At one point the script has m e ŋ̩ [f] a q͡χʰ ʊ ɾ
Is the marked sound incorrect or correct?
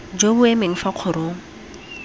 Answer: correct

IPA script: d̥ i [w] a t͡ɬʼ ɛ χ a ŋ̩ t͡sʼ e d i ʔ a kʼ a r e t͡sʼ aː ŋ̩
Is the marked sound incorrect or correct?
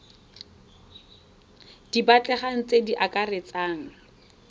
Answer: incorrect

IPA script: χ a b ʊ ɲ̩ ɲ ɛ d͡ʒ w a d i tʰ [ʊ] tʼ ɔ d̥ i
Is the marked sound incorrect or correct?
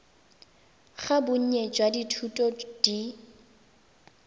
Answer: incorrect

